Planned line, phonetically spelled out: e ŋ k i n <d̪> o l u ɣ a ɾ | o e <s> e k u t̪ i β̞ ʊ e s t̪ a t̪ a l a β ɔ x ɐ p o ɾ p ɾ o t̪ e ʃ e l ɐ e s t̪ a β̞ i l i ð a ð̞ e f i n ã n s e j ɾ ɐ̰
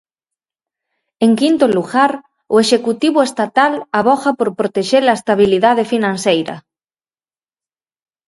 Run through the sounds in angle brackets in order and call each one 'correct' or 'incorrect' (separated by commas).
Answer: incorrect, incorrect